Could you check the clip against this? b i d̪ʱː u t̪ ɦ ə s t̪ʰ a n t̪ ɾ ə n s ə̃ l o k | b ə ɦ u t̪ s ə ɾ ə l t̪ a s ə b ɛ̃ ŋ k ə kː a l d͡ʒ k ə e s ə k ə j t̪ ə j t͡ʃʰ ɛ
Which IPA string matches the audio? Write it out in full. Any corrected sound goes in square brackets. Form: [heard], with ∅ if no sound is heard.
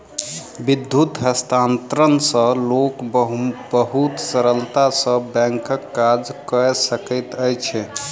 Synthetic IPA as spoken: b i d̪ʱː u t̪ ɦ ə s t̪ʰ a n t̪ ɾ ə n s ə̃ l o k | b ə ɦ u t̪ s ə ɾ ə l t̪ a s ə b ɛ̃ ŋ k ə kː a [∅] d͡ʒ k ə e s ə k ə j t̪ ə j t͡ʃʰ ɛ